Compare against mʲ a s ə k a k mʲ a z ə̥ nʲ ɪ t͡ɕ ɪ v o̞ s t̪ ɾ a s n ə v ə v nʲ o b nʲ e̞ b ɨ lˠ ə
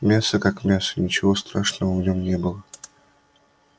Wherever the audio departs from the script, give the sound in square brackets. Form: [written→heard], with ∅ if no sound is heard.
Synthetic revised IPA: mʲ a s ə k a k mʲ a [z→s] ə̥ nʲ ɪ t͡ɕ ɪ v o̞ s t̪ ɾ a [s→ʂ] n ə v ə v nʲ o [b→m] nʲ e̞ b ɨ lˠ ə

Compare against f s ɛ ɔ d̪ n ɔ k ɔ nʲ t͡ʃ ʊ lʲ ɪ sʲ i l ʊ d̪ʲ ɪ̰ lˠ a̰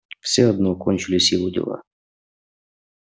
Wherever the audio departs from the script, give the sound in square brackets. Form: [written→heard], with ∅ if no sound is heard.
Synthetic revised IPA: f s ɛ ɔ d̪ n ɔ k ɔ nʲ t͡ʃ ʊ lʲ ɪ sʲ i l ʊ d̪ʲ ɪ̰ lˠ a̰

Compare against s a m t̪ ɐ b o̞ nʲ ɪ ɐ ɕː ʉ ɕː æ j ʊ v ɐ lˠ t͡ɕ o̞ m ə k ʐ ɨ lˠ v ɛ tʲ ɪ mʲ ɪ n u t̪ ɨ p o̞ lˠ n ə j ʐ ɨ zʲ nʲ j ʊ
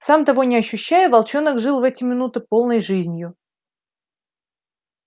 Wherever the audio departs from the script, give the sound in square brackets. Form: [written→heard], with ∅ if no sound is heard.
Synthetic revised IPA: s a m t̪ ɐ [b→v] o̞ nʲ ɪ ɐ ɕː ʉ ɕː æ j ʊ v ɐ lˠ t͡ɕ o̞ [m→n] ə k ʐ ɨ lˠ v ɛ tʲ ɪ mʲ ɪ n u t̪ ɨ p o̞ lˠ n ə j ʐ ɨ zʲ nʲ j ʊ

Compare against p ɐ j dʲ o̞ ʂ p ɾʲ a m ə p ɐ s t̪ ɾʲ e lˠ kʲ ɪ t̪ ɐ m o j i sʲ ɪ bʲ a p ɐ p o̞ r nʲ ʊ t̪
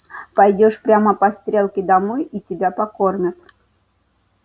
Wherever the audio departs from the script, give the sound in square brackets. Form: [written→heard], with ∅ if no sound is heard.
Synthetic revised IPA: p ɐ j dʲ o̞ ʂ p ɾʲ a m ə p ɐ s t̪ ɾʲ e lˠ kʲ ɪ [t̪→d̪] ɐ m o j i [sʲ→tʲ] ɪ bʲ a p ɐ [p→k] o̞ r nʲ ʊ t̪

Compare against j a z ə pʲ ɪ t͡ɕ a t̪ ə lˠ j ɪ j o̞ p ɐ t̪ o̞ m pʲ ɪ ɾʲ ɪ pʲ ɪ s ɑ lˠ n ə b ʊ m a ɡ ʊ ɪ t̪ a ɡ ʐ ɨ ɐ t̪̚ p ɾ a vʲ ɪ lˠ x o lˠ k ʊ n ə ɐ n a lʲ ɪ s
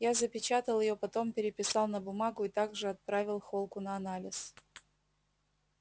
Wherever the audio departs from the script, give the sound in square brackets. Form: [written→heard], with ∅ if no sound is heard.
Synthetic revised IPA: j a z ə pʲ ɪ t͡ɕ a t̪ ə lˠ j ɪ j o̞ p ɐ t̪ o̞ m pʲ ɪ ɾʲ ɪ pʲ ɪ s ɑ lˠ n ə b ʊ m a ɡ ʊ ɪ t̪ a ɡ ʐ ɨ ɐ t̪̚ p ɾ a vʲ ɪ lˠ x o lˠ k ʊ n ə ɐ n a lʲ ɪ s

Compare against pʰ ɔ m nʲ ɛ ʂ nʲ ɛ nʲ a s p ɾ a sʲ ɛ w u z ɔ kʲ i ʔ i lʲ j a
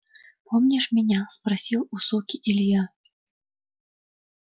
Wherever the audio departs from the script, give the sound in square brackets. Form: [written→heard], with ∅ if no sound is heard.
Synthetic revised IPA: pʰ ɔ m nʲ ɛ ʂ [nʲ→mʲ] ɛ nʲ a s p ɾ a sʲ [ɛ→i] w u [z→s] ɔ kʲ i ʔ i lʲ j a

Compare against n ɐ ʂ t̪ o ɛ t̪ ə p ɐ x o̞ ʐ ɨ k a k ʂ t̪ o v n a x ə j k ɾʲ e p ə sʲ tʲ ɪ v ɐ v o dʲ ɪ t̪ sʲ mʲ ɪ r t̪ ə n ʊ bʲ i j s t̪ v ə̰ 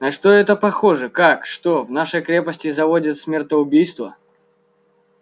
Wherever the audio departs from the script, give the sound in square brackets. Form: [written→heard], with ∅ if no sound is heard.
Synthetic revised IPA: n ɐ ʂ t̪ o ɛ t̪ ə p ɐ x o̞ ʐ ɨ k a k ʂ t̪ o v n a [x→ʂ] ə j k ɾʲ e p ə sʲ tʲ ɪ [v→z] ɐ v o dʲ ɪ t̪ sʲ mʲ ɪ r t̪ ə [n→∅] ʊ bʲ i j s t̪ v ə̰

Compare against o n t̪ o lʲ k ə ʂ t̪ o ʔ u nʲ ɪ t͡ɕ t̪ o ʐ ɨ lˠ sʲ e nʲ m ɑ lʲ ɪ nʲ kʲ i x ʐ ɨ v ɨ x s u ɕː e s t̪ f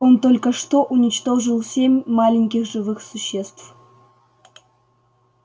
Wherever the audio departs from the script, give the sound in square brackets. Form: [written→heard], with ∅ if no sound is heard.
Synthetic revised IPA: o n t̪ o lʲ k ə ʂ t̪ o ʔ u nʲ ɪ t͡ɕ t̪ o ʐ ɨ lˠ sʲ e [nʲ→mʲ] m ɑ lʲ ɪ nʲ kʲ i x ʐ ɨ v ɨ x s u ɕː e s t̪ f

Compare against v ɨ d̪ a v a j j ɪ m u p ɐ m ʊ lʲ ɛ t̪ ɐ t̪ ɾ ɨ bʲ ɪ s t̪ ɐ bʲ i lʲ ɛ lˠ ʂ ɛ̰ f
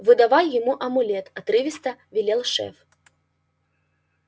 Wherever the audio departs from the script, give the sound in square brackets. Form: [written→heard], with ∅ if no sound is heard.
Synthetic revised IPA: v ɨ d̪ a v a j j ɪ m u [p→ʔ] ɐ m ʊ lʲ ɛ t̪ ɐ t̪ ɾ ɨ [bʲ→vʲ] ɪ s t̪ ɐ [bʲ→vʲ] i lʲ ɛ lˠ ʂ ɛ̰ f

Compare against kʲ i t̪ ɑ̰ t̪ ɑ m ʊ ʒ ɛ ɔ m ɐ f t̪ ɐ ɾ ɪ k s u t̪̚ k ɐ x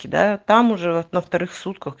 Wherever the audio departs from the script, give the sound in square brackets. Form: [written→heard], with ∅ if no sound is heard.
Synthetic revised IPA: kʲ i [t̪→d̪] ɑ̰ t̪ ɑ m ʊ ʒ ɛ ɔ [m→n] ɐ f t̪ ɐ ɾ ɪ [k→x] s u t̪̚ k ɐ x

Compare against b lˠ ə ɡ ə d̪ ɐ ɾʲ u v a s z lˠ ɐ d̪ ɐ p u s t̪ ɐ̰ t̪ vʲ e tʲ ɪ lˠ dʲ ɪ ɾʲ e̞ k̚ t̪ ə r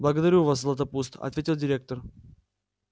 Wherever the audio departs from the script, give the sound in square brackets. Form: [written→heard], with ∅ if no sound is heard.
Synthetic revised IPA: b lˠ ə ɡ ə d̪ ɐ ɾʲ u v a s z lˠ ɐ [d̪→t̪] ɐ p u s t̪ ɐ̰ t̪ vʲ e tʲ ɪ lˠ dʲ ɪ ɾʲ e̞ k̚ t̪ ə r

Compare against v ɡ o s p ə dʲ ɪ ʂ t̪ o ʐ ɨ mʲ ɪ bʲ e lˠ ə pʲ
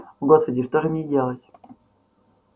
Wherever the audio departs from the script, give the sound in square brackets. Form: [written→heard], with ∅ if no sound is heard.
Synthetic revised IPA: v ɡ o s p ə dʲ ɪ ʂ t̪ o ʐ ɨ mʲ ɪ [bʲ→dʲ] e lˠ ə [pʲ→tʲ]

